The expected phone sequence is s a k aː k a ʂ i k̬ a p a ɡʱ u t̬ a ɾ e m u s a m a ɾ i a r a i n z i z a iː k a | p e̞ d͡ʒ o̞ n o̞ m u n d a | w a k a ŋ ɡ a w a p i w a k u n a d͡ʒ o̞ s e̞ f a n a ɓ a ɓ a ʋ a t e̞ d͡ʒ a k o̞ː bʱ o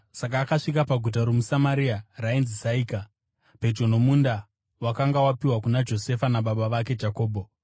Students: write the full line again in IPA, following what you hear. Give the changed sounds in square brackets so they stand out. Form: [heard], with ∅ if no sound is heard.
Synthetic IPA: s a k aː k a ʂ i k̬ a p a ɡʱ u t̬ a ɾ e m u s a m a ɾ i a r a i n z i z a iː k a | p e̞ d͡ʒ o̞ n o̞ m u n d a | w a k a ŋ ɡ a w a p i w a k u n a d͡ʒ o̞ s e̞ f a n a ɓ a ɓ a ʋ a [k] e̞ d͡ʒ a k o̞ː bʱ o